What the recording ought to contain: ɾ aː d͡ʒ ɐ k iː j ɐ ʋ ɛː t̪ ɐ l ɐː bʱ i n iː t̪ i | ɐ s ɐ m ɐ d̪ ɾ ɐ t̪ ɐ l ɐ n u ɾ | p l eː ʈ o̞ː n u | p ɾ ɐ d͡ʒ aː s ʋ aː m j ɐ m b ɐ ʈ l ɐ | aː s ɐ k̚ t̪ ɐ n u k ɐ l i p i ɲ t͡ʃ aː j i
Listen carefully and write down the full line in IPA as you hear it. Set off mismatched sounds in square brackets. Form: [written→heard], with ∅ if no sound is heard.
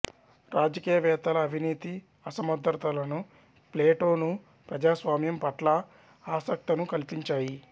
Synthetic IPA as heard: ɾ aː d͡ʒ ɐ k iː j ɐ ʋ ɛː t̪ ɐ l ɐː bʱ i n iː t̪ i | ɐ s ɐ m ɐ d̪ ɾ ɐ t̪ ɐ l ɐ n u [ɾ→∅] | p l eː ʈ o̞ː n u | p ɾ ɐ d͡ʒ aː s ʋ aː m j ɐ m [b→p] ɐ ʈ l ɐ | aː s ɐ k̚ t̪ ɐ n u k ɐ l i p i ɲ t͡ʃ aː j i